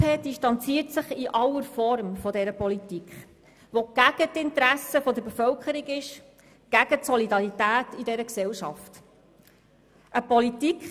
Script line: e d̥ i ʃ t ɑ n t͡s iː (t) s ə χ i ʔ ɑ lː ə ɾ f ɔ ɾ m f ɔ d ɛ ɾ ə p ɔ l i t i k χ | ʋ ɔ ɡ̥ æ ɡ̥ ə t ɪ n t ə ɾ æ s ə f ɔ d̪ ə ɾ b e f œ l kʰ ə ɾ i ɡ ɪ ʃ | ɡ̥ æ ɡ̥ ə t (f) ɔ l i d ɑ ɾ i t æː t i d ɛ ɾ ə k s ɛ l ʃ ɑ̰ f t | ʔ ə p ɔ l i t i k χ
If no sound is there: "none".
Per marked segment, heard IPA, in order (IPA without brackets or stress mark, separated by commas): t, s